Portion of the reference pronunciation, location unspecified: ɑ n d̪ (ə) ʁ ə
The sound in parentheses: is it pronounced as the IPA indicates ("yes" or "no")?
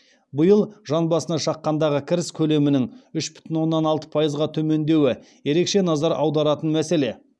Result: no